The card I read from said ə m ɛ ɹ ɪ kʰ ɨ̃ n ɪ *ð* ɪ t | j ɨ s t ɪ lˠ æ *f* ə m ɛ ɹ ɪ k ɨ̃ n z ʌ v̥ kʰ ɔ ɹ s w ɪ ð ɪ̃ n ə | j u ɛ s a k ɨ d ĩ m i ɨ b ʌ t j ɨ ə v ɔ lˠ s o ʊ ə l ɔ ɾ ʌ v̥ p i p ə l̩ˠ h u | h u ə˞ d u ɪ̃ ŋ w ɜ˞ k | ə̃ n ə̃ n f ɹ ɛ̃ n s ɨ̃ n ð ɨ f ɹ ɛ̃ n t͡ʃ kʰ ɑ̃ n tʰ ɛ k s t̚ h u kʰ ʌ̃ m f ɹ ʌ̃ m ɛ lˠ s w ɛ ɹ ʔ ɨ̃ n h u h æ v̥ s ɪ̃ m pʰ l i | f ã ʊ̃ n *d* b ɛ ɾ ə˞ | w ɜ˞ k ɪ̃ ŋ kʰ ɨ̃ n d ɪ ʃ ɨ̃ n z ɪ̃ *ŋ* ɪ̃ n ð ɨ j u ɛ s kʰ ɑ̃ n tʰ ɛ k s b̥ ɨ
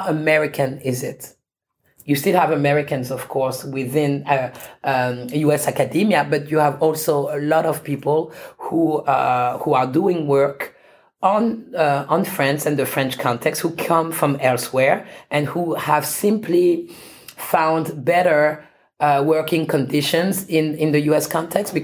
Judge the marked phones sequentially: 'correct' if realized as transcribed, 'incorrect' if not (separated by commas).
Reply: incorrect, incorrect, correct, incorrect